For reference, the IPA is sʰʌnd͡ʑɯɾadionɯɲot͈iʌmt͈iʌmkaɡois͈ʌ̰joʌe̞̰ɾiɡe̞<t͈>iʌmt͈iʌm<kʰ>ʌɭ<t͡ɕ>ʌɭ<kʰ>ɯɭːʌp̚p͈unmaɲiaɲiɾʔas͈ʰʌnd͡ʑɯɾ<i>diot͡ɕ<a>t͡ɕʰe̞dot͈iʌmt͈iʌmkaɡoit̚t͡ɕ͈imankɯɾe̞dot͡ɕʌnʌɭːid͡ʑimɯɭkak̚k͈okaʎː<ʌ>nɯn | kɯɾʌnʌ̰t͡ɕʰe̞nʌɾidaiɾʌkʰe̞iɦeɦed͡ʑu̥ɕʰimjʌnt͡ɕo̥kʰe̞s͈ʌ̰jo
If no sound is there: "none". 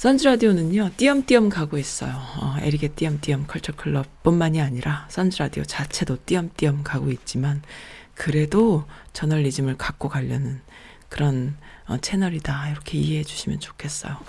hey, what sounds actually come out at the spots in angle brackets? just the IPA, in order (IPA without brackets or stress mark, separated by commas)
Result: t͈, kʰ, t͡ɕʰ, kʰ, a, a, ʌ